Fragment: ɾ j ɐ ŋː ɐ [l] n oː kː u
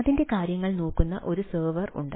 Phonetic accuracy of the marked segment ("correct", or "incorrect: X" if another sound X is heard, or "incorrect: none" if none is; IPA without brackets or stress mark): incorrect: ɭ